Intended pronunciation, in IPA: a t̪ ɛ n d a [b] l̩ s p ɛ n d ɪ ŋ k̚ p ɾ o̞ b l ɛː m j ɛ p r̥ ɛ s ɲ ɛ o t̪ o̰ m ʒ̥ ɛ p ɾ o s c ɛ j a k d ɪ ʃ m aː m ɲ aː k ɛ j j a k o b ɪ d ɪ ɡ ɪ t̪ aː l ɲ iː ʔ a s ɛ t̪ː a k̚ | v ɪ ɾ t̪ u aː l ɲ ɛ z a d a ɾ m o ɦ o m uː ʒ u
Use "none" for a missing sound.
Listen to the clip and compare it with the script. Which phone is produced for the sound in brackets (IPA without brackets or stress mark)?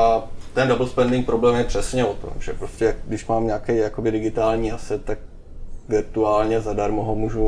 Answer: b